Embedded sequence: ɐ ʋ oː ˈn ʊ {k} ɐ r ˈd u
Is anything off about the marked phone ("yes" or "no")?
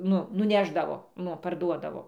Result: yes